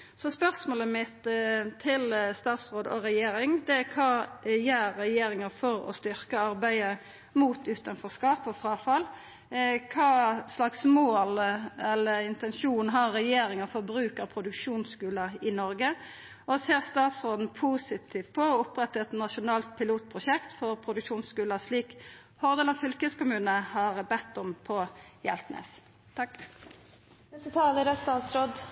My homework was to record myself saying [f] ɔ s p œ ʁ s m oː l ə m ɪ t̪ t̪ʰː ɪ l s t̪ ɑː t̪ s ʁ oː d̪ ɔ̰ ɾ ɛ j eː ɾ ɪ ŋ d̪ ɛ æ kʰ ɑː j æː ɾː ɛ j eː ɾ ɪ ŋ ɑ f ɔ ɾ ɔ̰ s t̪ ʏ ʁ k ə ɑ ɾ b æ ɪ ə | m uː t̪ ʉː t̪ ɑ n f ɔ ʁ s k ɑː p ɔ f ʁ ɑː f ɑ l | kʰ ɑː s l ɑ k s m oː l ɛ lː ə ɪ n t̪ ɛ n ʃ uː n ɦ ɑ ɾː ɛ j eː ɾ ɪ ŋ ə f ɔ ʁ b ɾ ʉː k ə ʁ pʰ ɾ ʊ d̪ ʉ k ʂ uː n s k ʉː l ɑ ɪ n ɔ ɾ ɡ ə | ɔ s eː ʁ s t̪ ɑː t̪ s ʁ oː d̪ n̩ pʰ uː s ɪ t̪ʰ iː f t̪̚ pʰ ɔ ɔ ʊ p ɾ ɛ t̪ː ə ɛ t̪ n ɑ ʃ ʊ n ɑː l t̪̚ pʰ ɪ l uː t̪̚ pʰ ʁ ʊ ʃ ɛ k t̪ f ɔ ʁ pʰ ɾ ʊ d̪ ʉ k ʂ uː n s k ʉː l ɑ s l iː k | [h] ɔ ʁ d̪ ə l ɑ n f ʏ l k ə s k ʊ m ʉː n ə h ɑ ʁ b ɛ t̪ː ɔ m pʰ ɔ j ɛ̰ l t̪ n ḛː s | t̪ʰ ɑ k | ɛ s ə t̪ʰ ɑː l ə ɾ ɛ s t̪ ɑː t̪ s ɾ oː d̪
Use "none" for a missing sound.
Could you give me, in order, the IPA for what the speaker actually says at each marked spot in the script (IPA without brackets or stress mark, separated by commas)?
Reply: s, h